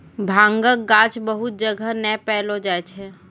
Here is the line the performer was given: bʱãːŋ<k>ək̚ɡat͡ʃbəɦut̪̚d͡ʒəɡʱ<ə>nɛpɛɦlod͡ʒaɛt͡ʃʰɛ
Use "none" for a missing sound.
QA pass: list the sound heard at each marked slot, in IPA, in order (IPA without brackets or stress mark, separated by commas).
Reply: ɡ, ə